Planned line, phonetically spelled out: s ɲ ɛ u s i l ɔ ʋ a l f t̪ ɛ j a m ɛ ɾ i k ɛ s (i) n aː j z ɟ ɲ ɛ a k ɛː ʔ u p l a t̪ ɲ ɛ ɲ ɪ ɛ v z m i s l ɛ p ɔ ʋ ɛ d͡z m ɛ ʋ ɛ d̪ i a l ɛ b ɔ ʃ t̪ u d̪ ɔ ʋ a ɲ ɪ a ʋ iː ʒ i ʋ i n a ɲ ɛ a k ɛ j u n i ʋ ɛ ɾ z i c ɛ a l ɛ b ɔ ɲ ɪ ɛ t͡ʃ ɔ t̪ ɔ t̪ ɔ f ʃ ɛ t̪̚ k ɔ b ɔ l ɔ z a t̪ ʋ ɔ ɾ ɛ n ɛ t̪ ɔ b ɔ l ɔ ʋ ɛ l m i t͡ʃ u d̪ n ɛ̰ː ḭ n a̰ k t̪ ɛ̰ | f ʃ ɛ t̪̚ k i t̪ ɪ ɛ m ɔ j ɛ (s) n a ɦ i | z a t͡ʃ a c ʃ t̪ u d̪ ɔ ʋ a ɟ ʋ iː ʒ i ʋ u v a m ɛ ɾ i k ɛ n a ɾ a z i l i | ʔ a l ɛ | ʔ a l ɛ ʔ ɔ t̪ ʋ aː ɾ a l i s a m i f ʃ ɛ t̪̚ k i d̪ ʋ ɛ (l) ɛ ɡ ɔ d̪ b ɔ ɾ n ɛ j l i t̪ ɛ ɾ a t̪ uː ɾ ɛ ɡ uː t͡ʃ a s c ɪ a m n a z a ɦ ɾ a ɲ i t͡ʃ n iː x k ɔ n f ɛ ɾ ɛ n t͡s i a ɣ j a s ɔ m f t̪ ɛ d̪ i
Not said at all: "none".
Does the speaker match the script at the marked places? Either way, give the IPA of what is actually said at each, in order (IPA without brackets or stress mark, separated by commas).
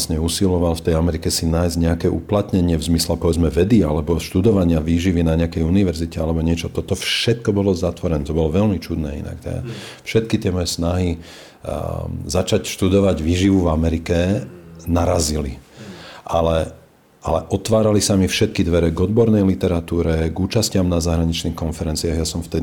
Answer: i, s, ɾ